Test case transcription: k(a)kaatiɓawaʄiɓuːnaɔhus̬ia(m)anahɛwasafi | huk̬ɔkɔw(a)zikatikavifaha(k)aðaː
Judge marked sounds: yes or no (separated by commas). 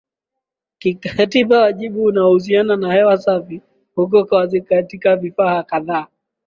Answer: no, no, yes, yes